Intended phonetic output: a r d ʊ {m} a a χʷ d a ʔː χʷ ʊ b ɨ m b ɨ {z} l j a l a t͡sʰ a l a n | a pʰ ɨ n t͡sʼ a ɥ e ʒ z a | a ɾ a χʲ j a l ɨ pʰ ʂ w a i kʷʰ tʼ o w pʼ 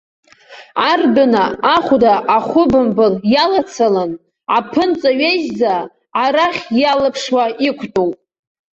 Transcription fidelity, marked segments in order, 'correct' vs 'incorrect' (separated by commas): incorrect, incorrect